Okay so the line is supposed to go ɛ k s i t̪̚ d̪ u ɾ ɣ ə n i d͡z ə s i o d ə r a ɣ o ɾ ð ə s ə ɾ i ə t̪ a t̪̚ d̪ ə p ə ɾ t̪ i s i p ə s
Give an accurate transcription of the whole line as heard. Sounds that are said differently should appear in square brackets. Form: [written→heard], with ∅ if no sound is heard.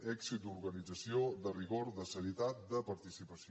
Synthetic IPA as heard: ɛ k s i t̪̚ d̪ u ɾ ɣ ə n i d͡z ə s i o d ə r [a→i] ɣ o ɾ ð ə s ə ɾ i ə t̪ a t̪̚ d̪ ə p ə ɾ t̪ i s i p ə s